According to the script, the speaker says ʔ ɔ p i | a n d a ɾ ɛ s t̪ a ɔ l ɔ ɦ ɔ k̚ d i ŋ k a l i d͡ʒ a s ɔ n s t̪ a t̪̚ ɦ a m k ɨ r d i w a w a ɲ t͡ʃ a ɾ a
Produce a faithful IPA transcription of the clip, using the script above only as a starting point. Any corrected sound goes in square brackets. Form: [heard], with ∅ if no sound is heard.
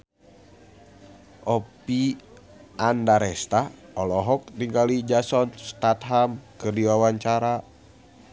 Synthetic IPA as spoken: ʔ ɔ p i | a n d a ɾ ɛ s t̪ a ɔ l ɔ ɦ ɔ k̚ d i ŋ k a l i d͡ʒ a s ɔ n s t̪ a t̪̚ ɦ a m k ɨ r d i w a w a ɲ t͡ʃ a ɾ a